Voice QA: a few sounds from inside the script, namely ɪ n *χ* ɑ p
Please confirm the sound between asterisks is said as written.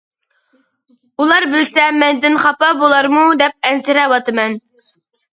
yes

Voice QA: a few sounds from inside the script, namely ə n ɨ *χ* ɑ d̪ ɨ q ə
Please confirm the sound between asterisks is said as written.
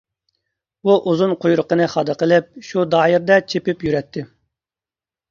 yes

